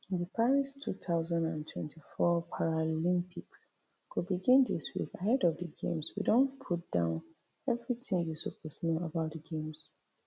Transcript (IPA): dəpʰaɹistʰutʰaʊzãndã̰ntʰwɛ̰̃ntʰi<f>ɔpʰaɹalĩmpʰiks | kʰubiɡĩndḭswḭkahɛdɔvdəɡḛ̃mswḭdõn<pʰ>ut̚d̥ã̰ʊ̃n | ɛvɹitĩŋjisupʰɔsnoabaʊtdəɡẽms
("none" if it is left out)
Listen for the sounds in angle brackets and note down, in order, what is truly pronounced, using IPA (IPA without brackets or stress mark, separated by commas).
f, pʰ